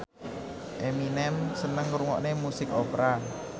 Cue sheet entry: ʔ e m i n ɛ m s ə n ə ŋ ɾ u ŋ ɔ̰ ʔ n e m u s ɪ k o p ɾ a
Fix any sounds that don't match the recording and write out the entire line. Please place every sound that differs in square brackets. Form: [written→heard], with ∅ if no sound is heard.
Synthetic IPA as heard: ʔ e m i n ɛ m s ə n ə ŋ ɾ u ŋ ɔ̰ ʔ n e m u s ɪ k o p ɾ a